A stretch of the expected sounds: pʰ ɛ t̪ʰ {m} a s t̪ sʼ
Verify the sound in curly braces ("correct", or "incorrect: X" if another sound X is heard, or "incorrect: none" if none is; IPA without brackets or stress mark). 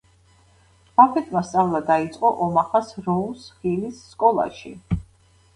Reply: correct